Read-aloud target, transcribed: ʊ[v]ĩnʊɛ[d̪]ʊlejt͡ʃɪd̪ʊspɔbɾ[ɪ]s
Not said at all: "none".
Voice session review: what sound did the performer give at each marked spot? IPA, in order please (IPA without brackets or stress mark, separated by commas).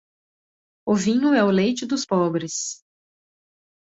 v, none, ɪ